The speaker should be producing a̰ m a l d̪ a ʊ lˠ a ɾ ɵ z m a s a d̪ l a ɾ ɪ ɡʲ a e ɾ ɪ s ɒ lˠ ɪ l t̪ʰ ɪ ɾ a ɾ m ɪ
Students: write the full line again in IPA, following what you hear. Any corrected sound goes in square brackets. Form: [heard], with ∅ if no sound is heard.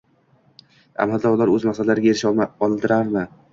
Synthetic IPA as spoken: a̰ m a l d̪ a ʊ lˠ a ɾ ɵ z m a s a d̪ l a ɾ ɪ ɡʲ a e ɾ ɪ [ʃ] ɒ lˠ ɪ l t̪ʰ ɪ ɾ a ɾ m ɪ